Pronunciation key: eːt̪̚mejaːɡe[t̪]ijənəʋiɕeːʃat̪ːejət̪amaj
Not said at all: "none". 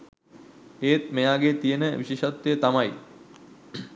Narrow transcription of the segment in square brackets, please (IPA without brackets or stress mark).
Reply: t̪